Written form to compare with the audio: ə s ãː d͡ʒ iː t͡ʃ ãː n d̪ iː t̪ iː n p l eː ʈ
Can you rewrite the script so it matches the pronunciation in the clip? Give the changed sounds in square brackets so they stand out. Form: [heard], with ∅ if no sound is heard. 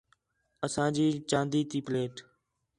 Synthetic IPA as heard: ə s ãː d͡ʒ iː t͡ʃ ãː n d̪ iː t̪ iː [∅] p l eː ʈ